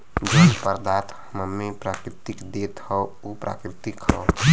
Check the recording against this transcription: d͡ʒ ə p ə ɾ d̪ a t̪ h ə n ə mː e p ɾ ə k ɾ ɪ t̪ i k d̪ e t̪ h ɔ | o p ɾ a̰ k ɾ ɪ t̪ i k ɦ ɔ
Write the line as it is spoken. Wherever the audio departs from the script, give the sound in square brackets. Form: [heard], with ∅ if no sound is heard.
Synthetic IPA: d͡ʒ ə p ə ɾ d̪ a t̪ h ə [m] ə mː e p ɾ [a] k ɾ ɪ t̪ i k d̪ e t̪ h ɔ | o p ɾ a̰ k ɾ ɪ t̪ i k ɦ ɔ